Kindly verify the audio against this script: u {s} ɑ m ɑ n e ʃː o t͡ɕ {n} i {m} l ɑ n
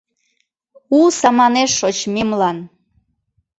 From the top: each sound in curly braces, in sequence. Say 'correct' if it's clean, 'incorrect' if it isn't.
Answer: correct, incorrect, correct

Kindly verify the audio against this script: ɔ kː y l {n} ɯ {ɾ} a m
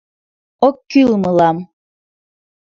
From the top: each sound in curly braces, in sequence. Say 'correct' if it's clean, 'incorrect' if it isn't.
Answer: incorrect, incorrect

